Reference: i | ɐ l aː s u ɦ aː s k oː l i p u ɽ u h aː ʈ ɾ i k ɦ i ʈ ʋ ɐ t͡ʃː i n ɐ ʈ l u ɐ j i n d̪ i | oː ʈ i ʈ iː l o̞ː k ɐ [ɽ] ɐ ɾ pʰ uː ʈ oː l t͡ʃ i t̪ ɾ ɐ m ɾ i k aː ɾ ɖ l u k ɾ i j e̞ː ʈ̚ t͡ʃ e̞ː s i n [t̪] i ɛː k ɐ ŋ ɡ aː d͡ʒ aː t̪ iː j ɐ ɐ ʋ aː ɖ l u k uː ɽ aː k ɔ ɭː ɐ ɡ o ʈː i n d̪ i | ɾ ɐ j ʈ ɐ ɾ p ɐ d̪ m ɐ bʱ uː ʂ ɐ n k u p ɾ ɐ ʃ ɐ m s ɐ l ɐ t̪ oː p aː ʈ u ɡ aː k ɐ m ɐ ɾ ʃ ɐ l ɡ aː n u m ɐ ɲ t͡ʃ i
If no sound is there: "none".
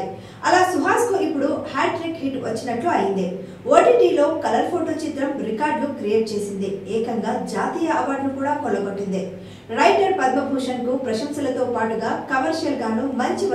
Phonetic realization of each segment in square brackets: l, d̪

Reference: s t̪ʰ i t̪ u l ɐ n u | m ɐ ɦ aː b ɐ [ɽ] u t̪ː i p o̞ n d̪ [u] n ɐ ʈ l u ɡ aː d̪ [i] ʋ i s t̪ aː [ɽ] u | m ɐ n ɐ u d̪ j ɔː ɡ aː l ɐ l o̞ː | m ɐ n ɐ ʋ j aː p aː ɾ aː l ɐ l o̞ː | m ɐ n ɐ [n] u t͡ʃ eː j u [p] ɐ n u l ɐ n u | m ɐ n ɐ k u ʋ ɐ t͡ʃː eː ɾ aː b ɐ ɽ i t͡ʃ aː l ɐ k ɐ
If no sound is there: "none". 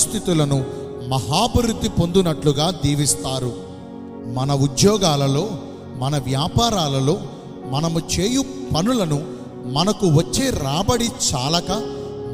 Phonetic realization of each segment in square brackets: ɾ, u, iː, ɾ, m, p

